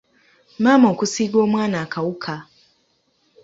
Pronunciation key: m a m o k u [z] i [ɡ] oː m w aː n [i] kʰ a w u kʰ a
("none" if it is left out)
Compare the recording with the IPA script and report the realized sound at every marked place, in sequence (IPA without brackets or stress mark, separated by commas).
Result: s, ɡ, a